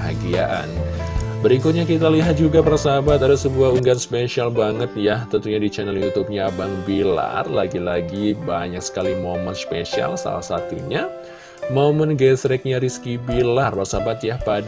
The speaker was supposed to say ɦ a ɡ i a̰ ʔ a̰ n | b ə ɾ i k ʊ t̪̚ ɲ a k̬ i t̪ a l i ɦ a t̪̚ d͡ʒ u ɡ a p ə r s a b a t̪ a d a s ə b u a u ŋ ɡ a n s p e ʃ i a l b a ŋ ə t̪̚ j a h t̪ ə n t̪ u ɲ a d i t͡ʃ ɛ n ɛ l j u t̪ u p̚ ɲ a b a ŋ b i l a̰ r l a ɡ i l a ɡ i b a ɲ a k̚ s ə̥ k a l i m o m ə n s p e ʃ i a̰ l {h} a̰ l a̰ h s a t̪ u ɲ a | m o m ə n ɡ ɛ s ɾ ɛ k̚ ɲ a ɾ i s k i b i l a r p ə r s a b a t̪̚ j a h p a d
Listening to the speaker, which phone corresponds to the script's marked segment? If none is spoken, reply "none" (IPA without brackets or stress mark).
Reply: s